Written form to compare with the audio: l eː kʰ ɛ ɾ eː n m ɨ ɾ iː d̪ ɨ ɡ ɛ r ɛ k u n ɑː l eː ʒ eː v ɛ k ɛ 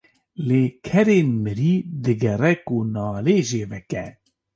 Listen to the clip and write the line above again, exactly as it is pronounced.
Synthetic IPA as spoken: l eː kʰ ɛ ɾ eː n m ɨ ɾ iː d̪ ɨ ɡ ɛ r ɛ k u n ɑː l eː ʒ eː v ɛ k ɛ